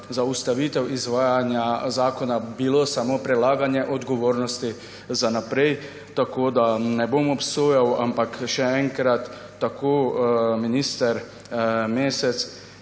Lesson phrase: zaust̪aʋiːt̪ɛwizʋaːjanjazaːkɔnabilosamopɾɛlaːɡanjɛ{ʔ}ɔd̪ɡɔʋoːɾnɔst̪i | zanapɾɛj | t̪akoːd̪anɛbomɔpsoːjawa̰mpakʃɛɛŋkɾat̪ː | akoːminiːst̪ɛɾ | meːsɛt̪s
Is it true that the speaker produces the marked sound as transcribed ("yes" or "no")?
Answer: yes